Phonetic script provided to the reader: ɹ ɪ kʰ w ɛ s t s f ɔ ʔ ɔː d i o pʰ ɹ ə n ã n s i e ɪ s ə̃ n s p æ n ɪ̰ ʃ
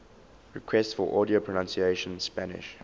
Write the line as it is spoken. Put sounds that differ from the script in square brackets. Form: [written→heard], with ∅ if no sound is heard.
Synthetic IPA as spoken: ɹ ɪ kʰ w ɛ s t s f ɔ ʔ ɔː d i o pʰ ɹ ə n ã n s i e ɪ [s→ʃ] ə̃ n s p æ n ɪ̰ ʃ

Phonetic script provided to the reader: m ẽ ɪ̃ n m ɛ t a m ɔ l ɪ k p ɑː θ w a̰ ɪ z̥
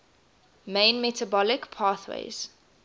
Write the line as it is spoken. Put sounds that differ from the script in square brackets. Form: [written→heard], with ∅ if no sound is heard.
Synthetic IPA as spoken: m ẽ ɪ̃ n m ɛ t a [m→b] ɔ l ɪ k [p→pʰ] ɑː θ w [a̰→ḛ] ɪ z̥

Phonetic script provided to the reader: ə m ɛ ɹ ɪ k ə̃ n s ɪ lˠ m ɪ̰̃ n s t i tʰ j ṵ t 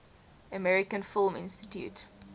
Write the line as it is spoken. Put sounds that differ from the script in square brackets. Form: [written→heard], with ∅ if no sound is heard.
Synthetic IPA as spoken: ə m ɛ ɹ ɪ k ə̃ n [s→f] ɪ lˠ m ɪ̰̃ n s t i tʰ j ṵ t

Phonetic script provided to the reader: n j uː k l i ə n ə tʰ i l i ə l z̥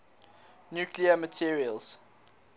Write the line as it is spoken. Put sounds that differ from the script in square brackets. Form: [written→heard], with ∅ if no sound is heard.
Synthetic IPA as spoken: n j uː k l i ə [n→m] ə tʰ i [l→ɹ] i ə l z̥

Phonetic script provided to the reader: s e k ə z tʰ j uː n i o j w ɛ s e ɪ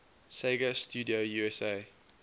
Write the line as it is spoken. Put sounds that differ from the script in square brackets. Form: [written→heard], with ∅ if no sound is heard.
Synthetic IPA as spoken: s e [k→ɡ] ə [z→s] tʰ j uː [n→d] i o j [w→u] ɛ s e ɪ

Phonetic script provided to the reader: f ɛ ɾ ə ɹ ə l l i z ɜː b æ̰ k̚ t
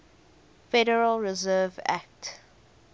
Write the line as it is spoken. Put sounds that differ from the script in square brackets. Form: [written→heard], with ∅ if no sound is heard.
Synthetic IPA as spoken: f ɛ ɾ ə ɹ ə l [l→ɹ] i z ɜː [b→v] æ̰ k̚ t

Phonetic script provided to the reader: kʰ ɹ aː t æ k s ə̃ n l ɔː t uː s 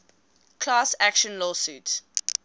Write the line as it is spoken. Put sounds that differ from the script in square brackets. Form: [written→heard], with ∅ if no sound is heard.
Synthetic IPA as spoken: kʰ [ɹ→l] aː [t→s] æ k [s→ʃ] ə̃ n l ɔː [t→s] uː [s→t]

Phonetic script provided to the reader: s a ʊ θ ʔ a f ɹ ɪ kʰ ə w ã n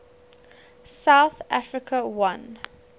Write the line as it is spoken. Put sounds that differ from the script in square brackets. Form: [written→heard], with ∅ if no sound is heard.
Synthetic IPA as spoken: s a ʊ θ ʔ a f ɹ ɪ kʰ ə w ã n

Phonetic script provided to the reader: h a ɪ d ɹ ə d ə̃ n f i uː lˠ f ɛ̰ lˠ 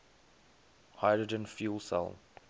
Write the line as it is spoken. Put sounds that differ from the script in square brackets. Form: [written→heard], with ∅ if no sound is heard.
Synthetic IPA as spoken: h a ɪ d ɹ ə [d→d͡ʒ] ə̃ n f [i→j] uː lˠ [f→s] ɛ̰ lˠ

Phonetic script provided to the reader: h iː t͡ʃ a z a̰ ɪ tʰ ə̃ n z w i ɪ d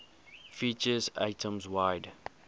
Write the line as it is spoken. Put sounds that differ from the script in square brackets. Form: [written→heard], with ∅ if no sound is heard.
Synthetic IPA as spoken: [h→f] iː t͡ʃ [a→ə] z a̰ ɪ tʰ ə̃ [n→m] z w [i→a] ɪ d

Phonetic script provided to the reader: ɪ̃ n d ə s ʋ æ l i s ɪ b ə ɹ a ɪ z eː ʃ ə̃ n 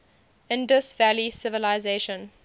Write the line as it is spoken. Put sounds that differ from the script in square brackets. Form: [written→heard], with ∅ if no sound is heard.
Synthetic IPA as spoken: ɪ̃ n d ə s [ʋ→v] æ l i s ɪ [b→v] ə [ɹ→l] a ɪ z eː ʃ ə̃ n

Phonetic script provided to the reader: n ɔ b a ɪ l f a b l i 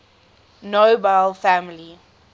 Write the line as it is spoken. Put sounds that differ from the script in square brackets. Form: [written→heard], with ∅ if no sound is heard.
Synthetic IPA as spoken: n [ɔ→o] b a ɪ l f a [b→m] l i

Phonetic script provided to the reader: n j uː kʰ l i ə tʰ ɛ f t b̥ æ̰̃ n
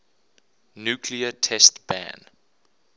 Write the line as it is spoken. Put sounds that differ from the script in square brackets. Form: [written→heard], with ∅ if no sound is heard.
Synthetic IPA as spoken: n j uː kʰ l i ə tʰ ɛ [f→s] t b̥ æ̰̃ n

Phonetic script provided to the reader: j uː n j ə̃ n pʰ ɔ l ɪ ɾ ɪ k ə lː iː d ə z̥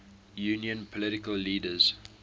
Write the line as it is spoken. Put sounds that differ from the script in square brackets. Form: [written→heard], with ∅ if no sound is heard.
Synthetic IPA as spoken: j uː n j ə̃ n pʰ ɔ l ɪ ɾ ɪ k ə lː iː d ə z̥

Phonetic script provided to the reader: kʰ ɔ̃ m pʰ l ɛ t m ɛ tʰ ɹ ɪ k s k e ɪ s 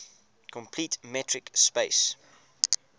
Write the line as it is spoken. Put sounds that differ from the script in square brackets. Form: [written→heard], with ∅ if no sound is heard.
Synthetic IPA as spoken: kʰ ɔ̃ m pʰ l [ɛ→i] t m ɛ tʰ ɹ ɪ k s [k→p] e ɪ s

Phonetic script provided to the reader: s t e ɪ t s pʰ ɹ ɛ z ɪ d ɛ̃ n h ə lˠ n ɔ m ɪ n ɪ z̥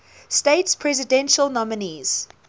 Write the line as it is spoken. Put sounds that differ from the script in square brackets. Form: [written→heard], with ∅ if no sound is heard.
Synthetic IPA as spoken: s t e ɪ t s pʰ ɹ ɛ z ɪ d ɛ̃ n [h→ʃ] ə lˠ n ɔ m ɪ n [ɪ→i] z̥

